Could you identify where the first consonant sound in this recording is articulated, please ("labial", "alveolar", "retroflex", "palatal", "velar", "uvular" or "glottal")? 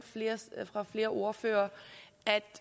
labial